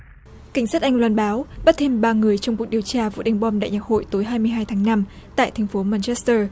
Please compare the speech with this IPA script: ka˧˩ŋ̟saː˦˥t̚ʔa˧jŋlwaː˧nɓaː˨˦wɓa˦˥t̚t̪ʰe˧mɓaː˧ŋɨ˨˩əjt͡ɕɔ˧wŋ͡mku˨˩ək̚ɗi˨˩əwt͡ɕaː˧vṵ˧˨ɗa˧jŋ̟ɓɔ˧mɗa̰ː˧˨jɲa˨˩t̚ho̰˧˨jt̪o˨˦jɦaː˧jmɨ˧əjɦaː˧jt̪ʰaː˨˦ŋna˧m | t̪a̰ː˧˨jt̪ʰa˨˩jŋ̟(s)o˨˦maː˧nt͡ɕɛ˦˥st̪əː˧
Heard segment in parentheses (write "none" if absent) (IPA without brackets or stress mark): f